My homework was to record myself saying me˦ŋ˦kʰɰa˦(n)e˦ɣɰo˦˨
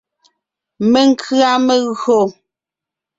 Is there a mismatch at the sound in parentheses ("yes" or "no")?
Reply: yes